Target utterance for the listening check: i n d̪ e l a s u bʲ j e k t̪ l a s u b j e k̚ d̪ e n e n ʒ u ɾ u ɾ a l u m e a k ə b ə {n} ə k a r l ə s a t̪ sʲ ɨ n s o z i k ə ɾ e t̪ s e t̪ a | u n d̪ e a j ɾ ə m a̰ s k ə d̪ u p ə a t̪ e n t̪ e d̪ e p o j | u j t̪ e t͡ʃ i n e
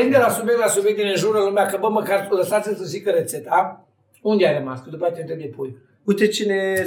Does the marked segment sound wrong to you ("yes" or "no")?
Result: yes